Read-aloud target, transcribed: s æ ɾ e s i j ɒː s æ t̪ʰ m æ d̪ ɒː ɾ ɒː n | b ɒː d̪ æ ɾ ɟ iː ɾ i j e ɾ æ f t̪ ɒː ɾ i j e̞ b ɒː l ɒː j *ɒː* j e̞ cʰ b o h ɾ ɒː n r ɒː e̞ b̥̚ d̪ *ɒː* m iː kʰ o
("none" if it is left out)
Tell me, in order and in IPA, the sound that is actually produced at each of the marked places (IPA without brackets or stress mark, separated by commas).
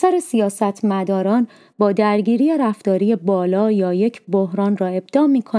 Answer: ɒː, ɒː